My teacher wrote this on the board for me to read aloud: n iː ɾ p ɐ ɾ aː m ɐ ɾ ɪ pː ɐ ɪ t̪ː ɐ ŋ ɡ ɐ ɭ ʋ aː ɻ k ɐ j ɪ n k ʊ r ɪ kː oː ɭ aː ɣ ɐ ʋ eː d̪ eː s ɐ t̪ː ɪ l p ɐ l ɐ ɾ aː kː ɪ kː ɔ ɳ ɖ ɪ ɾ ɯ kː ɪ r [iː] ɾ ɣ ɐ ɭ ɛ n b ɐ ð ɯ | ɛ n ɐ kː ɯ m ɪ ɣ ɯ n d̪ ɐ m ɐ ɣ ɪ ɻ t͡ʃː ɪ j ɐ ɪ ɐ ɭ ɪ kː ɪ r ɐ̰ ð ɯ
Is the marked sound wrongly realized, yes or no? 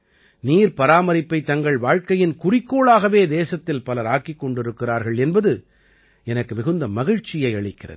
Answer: yes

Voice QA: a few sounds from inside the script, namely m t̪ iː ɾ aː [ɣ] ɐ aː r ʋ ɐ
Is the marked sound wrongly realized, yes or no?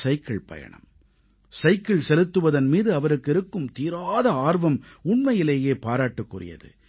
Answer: yes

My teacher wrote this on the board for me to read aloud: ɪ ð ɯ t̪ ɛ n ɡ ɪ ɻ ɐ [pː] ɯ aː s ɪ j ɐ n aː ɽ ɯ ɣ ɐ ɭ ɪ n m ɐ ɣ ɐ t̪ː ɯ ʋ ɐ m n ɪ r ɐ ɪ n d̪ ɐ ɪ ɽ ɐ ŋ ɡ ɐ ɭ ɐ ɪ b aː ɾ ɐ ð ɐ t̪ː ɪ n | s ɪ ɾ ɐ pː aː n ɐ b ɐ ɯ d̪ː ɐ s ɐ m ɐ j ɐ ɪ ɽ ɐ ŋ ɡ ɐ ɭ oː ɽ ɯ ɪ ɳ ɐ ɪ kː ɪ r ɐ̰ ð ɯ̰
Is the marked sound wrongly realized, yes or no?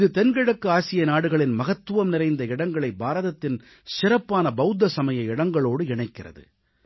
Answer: yes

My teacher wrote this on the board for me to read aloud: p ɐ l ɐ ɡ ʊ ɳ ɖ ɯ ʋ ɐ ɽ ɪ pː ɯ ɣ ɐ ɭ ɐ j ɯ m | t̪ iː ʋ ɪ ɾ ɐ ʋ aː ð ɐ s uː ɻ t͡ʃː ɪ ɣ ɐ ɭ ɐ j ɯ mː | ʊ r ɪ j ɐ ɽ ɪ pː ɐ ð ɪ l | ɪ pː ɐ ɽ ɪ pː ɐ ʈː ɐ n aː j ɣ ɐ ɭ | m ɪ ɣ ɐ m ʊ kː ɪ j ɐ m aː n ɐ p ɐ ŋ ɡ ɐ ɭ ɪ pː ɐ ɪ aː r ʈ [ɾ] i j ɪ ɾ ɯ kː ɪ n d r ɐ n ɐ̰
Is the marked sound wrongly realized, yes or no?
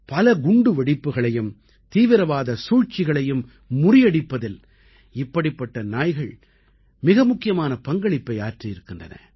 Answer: yes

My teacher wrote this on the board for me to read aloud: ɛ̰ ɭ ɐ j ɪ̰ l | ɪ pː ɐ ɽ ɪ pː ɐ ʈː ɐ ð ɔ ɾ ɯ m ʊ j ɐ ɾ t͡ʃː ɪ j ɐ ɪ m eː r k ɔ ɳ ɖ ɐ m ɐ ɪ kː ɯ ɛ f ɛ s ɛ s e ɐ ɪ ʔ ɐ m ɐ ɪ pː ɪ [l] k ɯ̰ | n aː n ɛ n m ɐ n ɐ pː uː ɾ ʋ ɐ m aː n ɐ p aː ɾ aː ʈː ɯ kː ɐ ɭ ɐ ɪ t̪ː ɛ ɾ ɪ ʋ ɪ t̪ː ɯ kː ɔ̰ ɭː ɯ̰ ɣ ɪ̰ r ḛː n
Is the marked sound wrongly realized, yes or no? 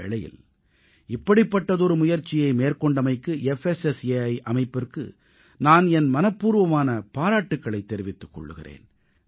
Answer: yes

